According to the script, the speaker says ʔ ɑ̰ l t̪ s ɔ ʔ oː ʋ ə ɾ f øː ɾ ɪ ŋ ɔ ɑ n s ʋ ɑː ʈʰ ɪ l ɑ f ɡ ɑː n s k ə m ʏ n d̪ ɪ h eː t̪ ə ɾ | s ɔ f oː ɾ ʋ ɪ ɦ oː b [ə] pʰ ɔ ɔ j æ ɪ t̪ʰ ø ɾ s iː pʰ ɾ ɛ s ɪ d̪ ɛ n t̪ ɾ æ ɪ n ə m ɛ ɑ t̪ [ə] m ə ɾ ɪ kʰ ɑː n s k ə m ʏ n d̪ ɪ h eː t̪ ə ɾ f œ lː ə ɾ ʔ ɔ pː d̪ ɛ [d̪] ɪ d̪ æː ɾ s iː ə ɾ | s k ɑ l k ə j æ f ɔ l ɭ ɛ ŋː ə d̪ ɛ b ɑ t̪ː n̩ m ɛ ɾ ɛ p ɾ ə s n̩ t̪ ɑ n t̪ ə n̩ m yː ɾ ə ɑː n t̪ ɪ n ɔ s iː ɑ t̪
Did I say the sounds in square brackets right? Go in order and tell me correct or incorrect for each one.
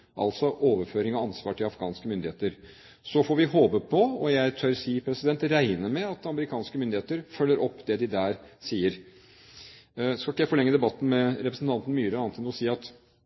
correct, incorrect: ɑ, correct

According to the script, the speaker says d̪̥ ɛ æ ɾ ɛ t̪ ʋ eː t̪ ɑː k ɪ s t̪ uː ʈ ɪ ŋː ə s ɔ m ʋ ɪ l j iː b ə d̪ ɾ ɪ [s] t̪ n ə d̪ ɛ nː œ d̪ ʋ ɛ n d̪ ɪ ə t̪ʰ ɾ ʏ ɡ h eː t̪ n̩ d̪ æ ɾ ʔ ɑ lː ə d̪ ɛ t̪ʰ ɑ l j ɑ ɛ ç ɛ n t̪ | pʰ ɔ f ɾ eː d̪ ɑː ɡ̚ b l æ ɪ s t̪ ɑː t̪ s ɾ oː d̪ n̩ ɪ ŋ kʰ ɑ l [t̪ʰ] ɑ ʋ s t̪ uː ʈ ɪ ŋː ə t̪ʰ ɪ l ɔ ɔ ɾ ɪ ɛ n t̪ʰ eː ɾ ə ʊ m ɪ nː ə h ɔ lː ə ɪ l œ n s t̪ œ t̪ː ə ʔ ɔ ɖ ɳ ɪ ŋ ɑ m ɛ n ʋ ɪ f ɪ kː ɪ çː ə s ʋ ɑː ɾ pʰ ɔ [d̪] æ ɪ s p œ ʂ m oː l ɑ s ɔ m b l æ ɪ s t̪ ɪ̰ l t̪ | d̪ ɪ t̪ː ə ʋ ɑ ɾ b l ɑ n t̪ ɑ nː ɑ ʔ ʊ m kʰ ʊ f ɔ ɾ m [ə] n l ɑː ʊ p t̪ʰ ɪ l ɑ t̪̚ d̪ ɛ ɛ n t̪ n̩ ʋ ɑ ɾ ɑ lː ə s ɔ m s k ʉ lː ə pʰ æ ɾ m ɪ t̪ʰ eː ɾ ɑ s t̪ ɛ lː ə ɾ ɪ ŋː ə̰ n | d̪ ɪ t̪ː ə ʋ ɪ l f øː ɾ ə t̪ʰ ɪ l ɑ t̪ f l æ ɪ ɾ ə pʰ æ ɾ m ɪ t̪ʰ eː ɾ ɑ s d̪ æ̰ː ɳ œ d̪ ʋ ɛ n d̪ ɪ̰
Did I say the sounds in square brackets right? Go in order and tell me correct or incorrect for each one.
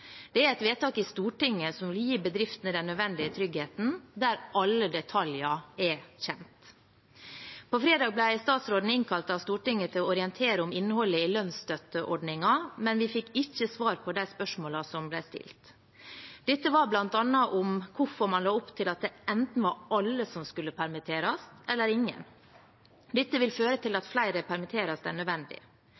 incorrect: f, incorrect: t̪, correct, incorrect: ɑ

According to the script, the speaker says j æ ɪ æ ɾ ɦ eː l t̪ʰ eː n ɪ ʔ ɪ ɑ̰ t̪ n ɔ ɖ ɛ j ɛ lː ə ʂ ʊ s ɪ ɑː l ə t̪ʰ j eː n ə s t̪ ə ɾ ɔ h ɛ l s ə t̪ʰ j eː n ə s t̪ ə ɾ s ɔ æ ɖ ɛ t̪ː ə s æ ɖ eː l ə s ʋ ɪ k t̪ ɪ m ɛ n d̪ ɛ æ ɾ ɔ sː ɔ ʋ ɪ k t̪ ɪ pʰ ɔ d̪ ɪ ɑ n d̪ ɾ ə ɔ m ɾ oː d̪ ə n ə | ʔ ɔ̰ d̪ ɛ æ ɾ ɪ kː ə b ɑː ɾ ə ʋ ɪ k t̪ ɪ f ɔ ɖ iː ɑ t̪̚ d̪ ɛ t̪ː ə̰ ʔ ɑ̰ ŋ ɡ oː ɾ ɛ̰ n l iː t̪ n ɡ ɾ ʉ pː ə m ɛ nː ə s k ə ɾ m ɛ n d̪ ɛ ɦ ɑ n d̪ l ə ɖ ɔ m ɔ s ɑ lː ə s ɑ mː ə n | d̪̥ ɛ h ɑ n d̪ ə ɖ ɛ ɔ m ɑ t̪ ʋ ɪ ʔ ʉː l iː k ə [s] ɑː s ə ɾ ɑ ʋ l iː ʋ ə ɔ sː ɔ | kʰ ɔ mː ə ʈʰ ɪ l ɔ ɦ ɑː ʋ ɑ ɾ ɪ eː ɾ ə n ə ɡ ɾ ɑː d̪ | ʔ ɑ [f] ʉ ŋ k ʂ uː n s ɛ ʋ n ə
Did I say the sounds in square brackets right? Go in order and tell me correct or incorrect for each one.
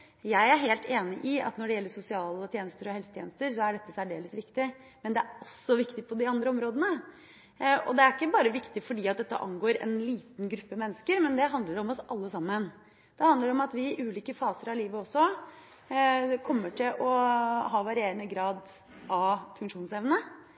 incorrect: f, correct

